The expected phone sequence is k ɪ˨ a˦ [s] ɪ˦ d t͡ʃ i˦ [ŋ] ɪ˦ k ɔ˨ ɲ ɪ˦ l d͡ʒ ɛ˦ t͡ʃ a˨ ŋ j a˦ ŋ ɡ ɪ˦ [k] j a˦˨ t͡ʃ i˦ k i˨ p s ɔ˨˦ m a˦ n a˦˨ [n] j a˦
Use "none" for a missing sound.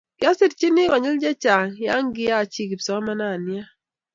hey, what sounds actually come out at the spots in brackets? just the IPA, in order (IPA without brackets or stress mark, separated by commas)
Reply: s, n, none, n